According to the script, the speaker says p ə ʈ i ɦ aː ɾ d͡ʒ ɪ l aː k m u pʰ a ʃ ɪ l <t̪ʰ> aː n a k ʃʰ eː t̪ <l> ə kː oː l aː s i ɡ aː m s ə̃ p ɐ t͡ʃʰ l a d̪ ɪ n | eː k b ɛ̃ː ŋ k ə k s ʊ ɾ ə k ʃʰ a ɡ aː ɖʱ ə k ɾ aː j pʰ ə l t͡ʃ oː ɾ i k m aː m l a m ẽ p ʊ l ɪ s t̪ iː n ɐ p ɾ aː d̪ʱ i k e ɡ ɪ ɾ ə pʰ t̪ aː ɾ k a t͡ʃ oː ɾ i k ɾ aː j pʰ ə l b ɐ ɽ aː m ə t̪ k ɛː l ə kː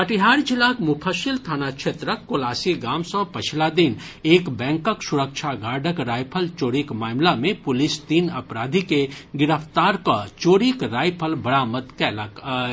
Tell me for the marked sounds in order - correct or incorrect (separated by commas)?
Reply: correct, incorrect